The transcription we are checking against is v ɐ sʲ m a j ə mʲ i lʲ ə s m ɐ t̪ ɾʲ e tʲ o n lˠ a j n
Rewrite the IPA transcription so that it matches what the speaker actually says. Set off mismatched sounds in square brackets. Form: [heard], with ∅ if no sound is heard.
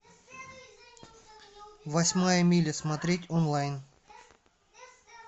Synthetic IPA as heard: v ɐ sʲ m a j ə mʲ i lʲ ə s m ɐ t̪ ɾʲ e tʲ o n lˠ a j n